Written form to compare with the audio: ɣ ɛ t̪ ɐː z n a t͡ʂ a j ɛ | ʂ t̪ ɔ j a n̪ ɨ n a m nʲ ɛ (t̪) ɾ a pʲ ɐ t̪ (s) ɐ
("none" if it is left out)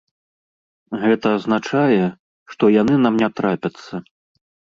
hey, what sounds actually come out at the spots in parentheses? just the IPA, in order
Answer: t̪, sː

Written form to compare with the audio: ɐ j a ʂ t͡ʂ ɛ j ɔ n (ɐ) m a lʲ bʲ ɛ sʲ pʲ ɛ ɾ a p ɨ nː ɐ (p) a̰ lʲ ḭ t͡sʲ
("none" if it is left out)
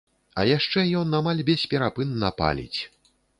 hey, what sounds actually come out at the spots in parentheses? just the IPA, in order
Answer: a, p

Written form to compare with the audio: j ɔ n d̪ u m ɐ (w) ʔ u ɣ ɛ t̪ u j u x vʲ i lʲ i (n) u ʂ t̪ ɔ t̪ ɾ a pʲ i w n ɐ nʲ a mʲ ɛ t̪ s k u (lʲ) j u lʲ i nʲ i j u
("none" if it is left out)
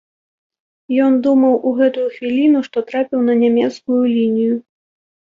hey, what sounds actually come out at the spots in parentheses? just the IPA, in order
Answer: w, n, none

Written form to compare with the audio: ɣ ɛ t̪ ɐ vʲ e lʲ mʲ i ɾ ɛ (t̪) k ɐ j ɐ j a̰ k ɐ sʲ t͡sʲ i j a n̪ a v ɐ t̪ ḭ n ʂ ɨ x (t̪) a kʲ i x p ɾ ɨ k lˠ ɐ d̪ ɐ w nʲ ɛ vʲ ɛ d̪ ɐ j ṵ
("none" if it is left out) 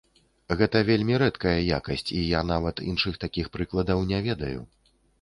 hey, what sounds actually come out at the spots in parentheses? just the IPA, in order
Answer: t̪, t̪

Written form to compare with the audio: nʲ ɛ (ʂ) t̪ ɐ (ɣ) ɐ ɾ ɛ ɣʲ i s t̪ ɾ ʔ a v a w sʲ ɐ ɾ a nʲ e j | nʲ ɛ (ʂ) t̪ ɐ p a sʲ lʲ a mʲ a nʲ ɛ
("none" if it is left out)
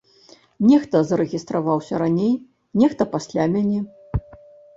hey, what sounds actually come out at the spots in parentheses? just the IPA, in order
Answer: x, z, x

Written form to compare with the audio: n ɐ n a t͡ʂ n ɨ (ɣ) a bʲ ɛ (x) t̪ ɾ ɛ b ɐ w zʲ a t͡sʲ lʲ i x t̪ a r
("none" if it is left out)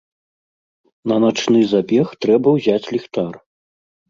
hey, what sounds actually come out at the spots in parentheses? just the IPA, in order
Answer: z, x

